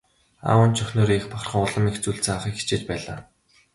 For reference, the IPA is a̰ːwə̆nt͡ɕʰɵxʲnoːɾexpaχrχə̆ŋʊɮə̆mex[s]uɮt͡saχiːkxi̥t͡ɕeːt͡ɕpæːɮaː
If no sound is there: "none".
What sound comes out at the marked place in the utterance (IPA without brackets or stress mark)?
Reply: t͡s